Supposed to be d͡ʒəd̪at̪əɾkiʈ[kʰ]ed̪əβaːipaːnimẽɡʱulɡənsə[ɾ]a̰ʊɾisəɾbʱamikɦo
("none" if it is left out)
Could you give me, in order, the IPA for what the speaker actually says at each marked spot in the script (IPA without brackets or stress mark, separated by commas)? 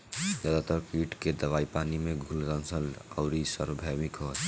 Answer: k, l